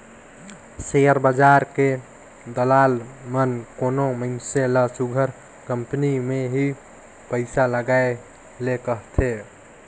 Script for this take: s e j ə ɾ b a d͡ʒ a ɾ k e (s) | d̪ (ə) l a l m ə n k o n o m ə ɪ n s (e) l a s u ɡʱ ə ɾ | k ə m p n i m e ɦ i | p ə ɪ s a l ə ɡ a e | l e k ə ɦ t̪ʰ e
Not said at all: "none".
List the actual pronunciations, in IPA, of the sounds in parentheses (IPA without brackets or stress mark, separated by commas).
none, ə, e